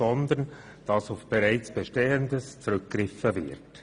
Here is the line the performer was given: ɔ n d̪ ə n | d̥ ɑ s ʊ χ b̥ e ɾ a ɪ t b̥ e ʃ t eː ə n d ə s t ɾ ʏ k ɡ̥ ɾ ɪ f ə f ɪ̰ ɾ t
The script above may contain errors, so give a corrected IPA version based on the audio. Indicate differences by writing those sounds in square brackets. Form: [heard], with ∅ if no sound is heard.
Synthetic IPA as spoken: ɔ n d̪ ə n | d̥ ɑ s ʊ [f] b̥ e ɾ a ɪ [t͡s] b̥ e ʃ t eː ə n d ə s [t͡s] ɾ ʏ k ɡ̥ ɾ ɪ f ə [v] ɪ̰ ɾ t